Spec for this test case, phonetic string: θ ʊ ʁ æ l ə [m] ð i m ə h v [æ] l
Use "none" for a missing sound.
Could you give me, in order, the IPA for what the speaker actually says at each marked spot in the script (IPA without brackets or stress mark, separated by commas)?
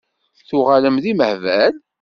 m, æ